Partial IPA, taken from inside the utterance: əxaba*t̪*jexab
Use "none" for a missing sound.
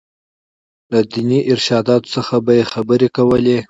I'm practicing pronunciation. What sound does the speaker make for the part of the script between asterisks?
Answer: none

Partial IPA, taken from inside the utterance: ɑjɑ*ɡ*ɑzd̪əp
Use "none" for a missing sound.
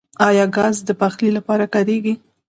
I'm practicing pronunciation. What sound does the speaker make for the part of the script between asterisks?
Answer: ɡ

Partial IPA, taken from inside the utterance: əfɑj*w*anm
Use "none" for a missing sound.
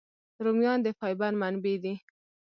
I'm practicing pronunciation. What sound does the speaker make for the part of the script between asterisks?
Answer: b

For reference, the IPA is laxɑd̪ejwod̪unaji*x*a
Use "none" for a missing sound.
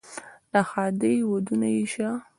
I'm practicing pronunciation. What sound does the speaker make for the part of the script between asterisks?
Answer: ʃ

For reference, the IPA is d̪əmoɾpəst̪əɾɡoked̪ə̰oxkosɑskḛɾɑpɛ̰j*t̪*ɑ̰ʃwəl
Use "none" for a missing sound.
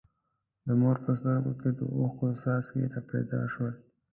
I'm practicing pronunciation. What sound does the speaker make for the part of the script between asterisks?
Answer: d̪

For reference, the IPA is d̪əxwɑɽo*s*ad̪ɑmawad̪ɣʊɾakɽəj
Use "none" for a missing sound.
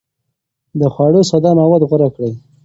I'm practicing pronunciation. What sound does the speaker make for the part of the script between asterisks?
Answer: s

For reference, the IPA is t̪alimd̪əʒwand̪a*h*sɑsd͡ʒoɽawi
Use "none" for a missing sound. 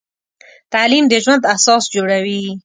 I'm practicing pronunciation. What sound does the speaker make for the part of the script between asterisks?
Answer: h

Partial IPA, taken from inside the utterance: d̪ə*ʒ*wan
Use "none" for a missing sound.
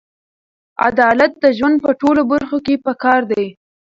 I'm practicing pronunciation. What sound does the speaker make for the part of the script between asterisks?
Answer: ʒ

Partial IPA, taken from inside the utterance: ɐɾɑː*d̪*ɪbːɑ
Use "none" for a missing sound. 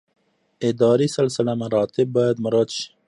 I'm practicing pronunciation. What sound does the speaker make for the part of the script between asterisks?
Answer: t̪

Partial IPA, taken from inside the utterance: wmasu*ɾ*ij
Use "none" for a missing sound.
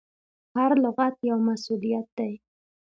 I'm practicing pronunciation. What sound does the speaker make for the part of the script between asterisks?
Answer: l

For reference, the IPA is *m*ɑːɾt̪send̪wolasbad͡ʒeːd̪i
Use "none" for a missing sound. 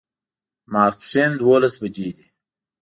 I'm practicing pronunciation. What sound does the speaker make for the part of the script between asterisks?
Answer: m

